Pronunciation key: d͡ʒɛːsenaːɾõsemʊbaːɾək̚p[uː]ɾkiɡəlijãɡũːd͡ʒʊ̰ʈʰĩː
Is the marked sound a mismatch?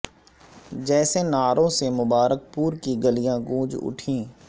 no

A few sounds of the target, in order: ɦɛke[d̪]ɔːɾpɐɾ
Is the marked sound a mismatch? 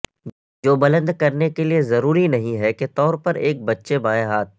yes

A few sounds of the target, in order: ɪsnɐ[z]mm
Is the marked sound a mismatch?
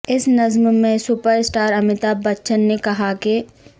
no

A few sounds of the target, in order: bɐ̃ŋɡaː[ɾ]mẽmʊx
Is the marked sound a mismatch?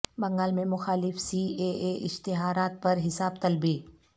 yes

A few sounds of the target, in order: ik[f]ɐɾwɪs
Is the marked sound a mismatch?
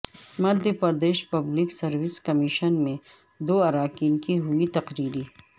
yes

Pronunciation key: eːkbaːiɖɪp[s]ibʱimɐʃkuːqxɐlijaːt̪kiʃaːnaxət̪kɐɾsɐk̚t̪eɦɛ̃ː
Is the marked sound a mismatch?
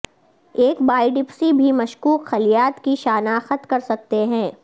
no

